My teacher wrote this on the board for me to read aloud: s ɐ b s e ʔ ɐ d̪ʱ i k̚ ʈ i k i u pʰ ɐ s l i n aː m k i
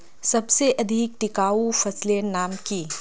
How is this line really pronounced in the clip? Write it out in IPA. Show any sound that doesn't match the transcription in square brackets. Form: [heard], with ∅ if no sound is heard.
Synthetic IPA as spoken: s ɐ b s e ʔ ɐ d̪ʱ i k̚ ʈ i k [a] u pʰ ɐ s l [e] n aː m k i